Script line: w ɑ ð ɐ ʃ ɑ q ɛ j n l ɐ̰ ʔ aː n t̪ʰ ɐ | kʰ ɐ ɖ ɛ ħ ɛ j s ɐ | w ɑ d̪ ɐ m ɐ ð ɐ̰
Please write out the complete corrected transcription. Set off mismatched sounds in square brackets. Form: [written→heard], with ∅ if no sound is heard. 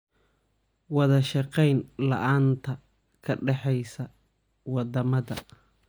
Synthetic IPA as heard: w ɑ ð ɐ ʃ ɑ q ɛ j n l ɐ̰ ʔ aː n t̪ʰ ɐ | kʰ ɐ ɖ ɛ ħ ɛ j s ɐ | w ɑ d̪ ɐ m ɐ ð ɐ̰